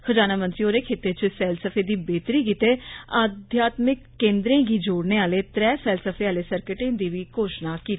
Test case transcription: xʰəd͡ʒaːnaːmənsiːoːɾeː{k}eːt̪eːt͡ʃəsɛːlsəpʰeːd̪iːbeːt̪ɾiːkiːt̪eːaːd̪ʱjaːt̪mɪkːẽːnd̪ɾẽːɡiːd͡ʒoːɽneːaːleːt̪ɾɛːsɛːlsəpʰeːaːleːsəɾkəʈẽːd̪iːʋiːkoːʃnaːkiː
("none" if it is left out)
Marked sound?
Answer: kʰ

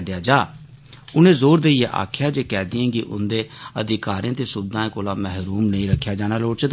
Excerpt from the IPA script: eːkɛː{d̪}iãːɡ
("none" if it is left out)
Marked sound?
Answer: d̪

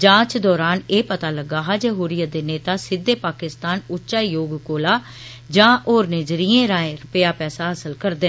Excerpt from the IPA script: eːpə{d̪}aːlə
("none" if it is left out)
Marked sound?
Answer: t̪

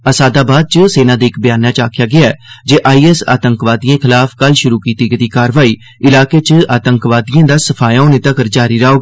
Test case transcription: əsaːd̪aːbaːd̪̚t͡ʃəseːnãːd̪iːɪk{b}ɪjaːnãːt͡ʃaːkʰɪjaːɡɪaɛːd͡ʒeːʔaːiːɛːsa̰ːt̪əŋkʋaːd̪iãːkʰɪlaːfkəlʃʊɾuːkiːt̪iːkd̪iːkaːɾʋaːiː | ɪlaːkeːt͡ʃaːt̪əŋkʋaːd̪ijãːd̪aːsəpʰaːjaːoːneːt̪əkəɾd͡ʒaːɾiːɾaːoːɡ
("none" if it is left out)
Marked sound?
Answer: b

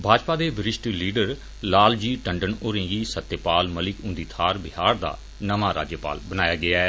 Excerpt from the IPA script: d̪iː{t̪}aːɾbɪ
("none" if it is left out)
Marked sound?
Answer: t̪ʰ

